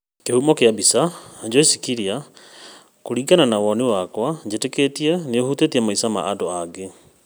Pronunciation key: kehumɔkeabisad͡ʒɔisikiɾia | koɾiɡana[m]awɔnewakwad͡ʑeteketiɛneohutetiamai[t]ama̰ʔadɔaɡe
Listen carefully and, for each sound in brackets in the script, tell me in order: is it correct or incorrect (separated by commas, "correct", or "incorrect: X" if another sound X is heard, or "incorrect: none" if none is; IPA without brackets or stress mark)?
incorrect: n, incorrect: s